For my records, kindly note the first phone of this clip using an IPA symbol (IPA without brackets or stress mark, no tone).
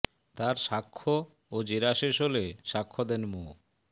t̪